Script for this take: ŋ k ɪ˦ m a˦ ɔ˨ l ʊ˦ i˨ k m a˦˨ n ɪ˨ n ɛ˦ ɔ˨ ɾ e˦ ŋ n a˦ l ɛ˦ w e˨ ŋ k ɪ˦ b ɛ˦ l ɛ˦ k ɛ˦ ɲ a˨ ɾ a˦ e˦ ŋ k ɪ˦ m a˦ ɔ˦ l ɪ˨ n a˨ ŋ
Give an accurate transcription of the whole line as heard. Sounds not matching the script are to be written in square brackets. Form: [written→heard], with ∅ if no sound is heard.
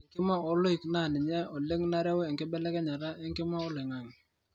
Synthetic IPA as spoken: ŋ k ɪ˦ m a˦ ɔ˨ l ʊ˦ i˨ k [m→n] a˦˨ n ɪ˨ [n→ɲ] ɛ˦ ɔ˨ [ɾ→l] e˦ ŋ n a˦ [l→ɾ] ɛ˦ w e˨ ŋ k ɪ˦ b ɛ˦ l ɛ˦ k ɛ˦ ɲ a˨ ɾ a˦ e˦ ŋ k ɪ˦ m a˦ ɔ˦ l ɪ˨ [n→ŋ] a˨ ŋ